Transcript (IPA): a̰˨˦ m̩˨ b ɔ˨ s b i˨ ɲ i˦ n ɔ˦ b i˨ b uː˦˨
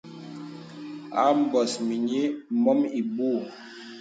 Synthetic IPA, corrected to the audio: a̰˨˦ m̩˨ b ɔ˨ s m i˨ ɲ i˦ m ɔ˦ m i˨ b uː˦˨